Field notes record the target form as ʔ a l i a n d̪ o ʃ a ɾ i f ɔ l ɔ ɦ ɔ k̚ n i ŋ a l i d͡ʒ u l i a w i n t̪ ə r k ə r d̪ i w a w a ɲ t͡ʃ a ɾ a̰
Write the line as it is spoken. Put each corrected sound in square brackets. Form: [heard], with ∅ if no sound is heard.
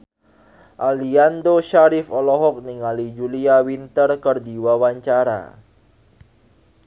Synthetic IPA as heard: ʔ a l i a n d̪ o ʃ a ɾ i f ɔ l ɔ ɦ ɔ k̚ n i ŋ a l i d͡ʒ u l i a w i n t̪ ə r k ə r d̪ i w a w a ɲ t͡ʃ a ɾ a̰